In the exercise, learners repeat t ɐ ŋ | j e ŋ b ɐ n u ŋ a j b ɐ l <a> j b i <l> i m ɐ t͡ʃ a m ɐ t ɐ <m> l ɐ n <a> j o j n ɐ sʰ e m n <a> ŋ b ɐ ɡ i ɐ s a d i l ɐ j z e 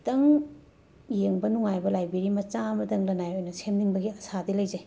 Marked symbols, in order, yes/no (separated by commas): yes, no, no, yes, no